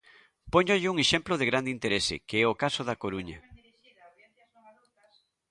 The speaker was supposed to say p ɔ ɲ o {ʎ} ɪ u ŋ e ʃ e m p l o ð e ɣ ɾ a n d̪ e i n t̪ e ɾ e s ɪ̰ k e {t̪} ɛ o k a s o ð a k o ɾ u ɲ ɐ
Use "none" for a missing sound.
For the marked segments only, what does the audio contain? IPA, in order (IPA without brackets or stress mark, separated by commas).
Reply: ʎ, none